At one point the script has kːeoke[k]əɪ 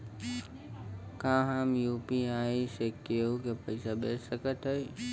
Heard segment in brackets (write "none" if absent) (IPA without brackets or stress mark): p